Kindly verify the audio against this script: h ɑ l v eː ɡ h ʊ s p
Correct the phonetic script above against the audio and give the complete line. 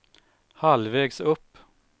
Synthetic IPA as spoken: h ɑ l ʋ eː ɡ s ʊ p